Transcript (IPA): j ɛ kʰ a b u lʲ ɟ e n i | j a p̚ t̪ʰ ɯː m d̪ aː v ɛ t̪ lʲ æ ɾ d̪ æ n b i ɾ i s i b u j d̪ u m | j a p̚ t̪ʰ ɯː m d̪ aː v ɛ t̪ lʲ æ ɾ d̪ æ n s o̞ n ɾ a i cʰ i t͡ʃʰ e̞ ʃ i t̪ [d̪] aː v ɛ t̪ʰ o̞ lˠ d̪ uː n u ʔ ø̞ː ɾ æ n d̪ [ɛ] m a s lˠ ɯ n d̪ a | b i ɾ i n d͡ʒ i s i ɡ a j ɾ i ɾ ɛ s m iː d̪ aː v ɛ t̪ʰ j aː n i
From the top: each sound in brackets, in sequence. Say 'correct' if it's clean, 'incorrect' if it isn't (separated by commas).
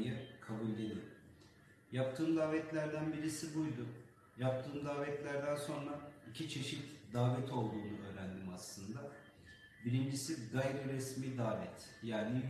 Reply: correct, incorrect